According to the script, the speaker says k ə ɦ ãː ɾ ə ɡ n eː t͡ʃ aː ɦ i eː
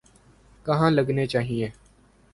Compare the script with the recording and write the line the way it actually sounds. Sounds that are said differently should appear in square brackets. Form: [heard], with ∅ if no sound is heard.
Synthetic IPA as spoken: k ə ɦ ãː [l] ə ɡ n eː t͡ʃ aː ɦ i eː